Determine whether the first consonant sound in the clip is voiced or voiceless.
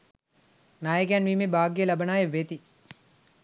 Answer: voiced